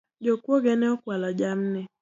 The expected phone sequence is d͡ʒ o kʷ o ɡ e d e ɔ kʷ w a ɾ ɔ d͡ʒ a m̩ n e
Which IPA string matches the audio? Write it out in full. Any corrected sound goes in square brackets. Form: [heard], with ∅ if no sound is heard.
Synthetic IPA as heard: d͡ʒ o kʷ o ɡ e [n] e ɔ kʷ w a [l] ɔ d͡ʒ a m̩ n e